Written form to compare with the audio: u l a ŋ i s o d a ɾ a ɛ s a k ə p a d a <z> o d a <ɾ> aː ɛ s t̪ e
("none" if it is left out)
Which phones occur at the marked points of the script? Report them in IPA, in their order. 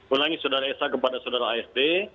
s, ɾ

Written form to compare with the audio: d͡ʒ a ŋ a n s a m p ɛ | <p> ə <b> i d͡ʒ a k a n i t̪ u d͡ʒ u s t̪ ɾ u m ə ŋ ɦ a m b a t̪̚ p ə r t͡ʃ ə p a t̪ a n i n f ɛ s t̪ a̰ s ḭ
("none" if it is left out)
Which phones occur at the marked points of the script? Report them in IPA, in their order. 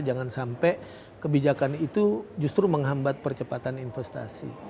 k, b

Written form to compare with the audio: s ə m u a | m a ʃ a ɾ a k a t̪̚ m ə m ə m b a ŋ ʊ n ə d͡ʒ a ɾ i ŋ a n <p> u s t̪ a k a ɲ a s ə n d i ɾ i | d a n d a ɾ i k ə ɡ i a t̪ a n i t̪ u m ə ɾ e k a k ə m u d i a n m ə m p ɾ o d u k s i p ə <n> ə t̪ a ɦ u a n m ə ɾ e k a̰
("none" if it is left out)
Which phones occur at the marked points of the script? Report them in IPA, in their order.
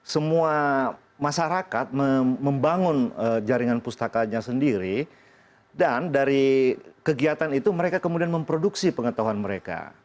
p, ŋ

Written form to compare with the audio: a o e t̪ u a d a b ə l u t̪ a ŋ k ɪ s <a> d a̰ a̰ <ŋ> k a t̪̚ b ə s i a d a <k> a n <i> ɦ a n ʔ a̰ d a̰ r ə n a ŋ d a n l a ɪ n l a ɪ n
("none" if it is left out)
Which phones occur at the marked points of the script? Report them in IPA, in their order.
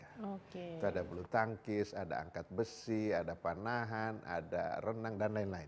a, ŋ, p, a

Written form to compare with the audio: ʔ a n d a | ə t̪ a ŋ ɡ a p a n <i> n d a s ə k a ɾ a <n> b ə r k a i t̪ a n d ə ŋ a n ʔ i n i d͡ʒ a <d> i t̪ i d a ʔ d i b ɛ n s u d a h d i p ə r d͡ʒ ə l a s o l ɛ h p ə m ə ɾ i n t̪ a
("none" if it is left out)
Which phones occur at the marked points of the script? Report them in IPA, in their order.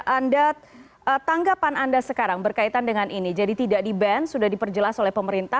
a, ŋ, d

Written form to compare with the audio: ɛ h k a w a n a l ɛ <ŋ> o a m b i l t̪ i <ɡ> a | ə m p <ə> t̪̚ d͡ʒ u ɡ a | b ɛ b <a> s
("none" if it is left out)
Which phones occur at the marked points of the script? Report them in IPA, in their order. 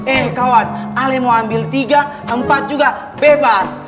m, ɡ, a, a

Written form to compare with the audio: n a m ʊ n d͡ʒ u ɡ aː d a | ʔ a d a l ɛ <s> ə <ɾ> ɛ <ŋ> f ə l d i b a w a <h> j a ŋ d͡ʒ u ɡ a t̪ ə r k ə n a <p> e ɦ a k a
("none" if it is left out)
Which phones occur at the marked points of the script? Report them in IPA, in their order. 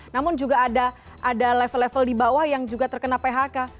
f, l, none, h, p

